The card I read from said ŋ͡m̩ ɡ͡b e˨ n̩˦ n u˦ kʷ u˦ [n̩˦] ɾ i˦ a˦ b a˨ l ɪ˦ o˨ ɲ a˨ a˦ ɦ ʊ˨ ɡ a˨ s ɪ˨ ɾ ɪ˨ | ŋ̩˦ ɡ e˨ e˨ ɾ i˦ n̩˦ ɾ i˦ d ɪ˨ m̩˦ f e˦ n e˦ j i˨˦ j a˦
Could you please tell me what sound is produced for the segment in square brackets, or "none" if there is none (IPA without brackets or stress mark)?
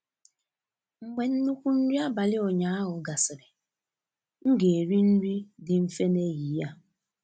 n̩˦